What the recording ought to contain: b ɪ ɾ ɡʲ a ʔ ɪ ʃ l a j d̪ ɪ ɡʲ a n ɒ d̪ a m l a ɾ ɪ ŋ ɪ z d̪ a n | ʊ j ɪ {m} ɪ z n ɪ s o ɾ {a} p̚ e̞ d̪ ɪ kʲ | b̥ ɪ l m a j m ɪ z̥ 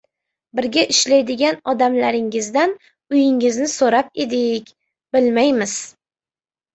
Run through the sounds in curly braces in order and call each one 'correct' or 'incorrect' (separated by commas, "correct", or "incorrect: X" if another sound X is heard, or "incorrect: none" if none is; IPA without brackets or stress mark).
incorrect: ŋ, correct